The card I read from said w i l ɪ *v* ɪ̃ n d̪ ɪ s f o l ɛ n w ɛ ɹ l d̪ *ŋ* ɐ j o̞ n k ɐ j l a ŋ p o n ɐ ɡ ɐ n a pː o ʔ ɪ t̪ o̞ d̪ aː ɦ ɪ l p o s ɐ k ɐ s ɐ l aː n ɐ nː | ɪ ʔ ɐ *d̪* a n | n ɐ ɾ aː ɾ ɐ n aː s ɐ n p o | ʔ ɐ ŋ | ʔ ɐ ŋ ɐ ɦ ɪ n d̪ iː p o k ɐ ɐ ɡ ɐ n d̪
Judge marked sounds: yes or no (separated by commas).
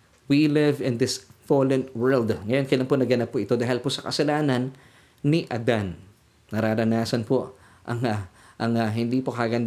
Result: yes, yes, yes